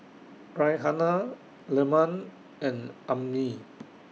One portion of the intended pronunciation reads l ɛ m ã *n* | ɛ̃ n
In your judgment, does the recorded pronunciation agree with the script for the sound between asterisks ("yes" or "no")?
yes